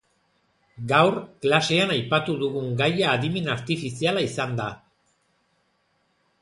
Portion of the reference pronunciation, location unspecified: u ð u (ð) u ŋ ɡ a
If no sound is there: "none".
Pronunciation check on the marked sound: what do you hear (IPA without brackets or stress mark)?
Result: ɣ